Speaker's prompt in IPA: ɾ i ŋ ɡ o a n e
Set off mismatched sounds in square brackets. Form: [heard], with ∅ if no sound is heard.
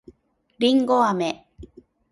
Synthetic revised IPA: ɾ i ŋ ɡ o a [m] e